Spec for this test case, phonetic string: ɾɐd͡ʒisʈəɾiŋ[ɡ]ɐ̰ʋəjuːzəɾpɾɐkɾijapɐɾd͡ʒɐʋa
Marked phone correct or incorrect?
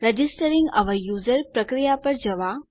correct